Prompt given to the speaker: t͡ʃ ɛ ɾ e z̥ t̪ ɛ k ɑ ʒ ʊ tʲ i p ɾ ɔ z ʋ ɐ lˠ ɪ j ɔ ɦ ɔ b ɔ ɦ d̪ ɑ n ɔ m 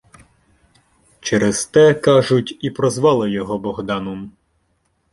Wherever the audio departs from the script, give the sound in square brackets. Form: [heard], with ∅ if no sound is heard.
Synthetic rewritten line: t͡ʃ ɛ ɾ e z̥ t̪ ɛ k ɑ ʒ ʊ tʲ i p ɾ ɔ z ʋ [ɑ] lˠ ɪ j ɔ ɦ ɔ b ɔ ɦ d̪ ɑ n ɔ m